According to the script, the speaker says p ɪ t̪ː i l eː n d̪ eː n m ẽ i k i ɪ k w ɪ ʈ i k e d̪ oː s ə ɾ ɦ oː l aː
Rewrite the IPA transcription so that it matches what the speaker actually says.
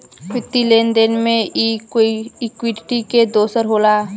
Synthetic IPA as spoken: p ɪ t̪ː i l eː n d̪ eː n m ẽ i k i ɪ k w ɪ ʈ i k e d̪ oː s ə ɾ ɦ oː l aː